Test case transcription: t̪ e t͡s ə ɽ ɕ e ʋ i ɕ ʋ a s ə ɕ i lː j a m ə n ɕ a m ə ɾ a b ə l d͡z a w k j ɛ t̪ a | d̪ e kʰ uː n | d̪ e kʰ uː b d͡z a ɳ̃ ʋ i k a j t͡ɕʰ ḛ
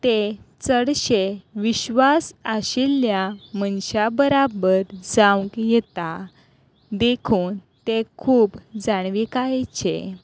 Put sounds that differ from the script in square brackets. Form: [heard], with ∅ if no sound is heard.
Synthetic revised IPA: t̪ e t͡s ə ɽ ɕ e ʋ i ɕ ʋ a s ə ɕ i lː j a m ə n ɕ a [b] ə ɾ a b ə [ɾ] d͡z a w k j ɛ t̪ a | d̪ e kʰ uː n | [t̪] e kʰ uː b d͡z a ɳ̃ ʋ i k a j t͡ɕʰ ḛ